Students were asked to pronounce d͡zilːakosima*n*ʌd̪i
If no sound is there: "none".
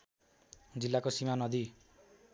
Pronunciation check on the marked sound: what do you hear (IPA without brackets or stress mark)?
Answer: n